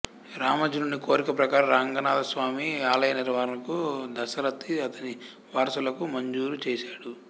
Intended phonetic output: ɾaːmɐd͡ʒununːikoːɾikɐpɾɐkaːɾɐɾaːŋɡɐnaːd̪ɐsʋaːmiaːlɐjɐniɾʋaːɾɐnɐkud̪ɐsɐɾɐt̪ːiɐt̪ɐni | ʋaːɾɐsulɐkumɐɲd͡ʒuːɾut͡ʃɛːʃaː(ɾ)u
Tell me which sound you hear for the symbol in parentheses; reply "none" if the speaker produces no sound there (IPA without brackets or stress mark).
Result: ɽ